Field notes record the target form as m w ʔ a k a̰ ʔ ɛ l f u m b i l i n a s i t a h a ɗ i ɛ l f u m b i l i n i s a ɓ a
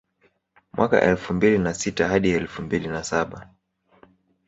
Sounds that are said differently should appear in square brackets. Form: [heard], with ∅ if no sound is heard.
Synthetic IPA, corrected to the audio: m w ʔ a k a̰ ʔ ɛ l f u m b i l i n a s i t a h a ɗ i ɛ l f u m b i l i n [a] s a ɓ a